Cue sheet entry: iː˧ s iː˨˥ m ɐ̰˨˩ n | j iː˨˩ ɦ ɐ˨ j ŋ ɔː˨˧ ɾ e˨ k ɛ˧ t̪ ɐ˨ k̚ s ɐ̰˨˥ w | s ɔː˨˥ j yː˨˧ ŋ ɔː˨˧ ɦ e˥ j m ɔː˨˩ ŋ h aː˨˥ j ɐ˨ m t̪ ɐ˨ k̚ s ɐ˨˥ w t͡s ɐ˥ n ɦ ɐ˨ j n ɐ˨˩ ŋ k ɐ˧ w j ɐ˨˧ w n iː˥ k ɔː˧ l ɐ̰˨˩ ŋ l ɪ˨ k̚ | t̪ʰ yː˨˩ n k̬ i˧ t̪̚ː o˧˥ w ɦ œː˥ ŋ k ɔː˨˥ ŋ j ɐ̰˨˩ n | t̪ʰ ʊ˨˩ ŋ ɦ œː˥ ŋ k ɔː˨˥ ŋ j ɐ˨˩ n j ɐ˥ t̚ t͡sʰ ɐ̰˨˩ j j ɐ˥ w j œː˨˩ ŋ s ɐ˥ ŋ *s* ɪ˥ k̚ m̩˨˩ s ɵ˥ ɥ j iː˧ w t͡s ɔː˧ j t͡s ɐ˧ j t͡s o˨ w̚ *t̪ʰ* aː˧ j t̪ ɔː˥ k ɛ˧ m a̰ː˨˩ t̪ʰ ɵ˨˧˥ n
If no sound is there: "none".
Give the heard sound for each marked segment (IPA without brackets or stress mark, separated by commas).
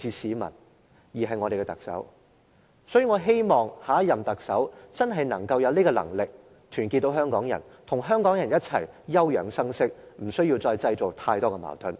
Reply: s, t̪ʰ